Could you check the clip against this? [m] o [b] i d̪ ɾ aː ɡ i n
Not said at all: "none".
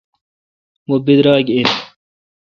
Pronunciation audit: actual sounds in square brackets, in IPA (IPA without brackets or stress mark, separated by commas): m, b